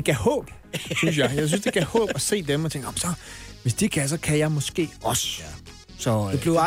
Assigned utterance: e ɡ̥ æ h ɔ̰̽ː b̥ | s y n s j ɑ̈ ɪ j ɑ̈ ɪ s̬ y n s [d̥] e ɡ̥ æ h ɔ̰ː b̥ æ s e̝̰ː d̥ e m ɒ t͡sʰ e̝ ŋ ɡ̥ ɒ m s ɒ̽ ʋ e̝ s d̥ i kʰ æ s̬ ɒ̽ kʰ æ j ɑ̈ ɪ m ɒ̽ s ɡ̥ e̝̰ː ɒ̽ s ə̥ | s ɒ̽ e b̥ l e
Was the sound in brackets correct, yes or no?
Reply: yes